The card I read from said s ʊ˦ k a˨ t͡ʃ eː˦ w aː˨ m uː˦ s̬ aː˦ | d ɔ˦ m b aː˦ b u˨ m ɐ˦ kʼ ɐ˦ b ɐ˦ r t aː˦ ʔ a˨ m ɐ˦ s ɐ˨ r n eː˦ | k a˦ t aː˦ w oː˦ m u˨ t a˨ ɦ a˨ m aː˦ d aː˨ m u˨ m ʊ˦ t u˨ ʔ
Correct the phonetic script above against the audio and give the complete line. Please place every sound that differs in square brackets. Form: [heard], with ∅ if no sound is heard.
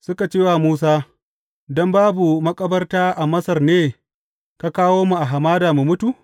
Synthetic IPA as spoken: s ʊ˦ k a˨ t͡ʃ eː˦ w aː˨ m uː˦ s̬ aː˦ | d ɔ˦ m b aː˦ b u˨ m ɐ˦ kʼ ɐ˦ b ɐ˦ r t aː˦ ʔ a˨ m ɐ˦ s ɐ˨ r n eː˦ | k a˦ [k] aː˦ w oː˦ m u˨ [ʔ] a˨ ɦ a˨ m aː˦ d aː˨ m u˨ m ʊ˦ t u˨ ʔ